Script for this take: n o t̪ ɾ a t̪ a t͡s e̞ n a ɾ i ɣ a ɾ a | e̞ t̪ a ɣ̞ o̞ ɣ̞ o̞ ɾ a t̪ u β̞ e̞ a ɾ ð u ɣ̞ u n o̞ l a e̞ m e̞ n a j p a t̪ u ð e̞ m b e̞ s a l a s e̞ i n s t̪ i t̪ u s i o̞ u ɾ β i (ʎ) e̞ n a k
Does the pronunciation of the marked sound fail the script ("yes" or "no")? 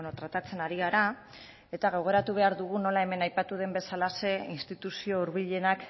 no